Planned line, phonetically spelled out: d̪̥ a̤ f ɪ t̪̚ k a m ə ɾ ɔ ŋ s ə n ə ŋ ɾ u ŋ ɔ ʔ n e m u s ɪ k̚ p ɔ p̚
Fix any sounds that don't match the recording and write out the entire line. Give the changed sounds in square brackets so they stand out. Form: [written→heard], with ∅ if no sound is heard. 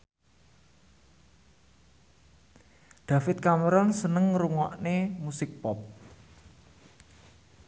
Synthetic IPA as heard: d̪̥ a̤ f ɪ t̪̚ k a m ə ɾ ɔ [ŋ→n] s ə n ə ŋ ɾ u ŋ ɔ ʔ n e m u s ɪ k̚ p ɔ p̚